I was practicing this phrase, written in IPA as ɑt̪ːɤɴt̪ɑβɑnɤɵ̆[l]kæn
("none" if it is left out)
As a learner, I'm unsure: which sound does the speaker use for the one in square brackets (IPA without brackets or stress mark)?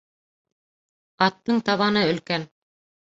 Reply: l